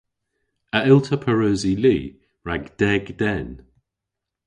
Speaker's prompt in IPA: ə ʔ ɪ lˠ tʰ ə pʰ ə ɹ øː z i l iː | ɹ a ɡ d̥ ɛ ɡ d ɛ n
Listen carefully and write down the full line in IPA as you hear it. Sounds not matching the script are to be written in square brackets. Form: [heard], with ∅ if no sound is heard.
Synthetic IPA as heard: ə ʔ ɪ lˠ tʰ ə pʰ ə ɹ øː z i l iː | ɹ a ɡ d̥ ɛ ɡ d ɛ n